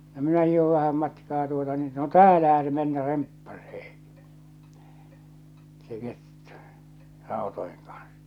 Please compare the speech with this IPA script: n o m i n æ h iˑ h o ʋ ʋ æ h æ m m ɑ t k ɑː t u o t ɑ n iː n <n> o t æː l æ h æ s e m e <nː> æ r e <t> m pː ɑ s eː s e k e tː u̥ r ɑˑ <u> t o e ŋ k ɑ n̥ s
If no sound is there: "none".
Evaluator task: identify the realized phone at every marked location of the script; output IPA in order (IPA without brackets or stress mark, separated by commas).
n, nː, none, o